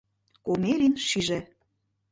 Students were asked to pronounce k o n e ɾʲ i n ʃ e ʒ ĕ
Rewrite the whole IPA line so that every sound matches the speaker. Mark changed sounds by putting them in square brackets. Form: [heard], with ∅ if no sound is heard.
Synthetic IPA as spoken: k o [m] e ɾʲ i n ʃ [i] ʒ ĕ